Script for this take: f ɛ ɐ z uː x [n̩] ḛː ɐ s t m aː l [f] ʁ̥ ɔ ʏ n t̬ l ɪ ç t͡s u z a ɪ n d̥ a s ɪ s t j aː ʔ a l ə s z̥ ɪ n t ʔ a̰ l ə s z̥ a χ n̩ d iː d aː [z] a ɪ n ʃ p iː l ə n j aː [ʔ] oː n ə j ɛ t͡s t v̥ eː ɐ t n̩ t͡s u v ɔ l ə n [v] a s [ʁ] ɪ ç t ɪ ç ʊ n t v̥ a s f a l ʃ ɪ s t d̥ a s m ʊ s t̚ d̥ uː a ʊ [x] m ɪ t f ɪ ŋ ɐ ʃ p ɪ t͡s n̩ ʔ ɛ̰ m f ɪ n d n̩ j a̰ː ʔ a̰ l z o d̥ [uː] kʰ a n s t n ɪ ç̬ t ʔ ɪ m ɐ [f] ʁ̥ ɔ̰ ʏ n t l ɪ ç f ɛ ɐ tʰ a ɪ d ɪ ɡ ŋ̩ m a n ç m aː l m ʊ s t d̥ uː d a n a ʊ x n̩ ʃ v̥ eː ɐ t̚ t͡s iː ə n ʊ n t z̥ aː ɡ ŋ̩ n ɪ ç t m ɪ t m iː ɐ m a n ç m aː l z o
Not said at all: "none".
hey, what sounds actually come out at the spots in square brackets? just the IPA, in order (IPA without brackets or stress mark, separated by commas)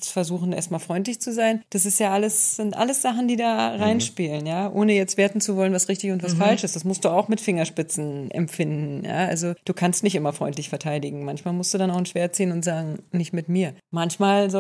n̩, f, ʁ, ʔ, v, ʁ, x, uː, f